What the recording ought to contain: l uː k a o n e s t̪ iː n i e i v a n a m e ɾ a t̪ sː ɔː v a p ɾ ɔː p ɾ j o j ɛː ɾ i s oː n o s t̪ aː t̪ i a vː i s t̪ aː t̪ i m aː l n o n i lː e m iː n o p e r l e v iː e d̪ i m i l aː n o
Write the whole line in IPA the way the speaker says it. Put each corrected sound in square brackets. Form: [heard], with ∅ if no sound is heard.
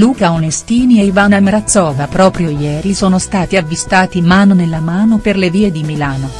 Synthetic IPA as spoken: l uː k a o n e s t̪ iː n i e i v a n a m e ɾ a t̪ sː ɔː v a p ɾ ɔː p ɾ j o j ɛː ɾ i s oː n o s t̪ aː t̪ i a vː i s t̪ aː t̪ i m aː [∅] n o n [e] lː [a] m [aː] n o p e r l e v iː e d̪ i m i l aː n o